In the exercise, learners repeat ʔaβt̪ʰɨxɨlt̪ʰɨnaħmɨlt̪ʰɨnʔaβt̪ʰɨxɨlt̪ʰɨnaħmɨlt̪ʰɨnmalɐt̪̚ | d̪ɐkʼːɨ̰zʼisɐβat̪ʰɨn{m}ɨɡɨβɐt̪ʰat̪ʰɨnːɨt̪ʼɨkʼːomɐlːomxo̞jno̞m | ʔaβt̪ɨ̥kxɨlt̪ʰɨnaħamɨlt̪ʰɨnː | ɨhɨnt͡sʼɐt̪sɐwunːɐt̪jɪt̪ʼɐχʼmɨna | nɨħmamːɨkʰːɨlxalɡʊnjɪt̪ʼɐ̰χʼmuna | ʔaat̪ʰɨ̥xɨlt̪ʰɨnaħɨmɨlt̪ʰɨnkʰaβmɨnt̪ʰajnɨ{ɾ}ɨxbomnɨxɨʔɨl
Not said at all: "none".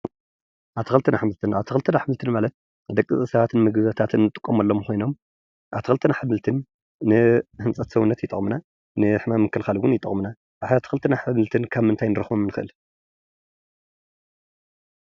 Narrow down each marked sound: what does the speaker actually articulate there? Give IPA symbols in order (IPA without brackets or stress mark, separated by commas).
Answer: m, ɾ